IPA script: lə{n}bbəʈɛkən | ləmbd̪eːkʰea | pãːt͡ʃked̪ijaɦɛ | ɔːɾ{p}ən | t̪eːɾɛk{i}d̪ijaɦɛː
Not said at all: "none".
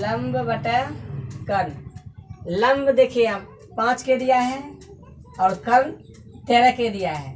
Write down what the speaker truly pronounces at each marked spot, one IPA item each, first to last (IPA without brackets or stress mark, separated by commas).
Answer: m, k, e